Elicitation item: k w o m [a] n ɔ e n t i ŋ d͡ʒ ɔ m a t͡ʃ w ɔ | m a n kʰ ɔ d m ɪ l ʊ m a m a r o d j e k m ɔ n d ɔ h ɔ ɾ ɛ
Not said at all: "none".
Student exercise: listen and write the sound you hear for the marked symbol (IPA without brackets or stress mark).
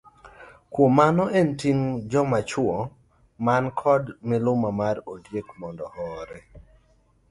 a